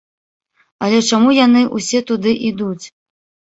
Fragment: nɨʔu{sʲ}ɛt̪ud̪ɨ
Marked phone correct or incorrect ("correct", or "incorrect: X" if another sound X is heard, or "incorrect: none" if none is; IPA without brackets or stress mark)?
correct